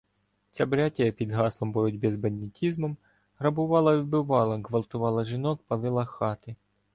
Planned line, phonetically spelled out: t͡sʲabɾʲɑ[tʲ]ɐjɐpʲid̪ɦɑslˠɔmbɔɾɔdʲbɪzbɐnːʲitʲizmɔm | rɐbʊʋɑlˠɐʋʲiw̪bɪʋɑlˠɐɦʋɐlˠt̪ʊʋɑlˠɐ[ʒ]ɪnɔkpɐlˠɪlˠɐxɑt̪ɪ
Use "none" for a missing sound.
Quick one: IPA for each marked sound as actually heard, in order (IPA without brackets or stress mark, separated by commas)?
tʲ, ʒ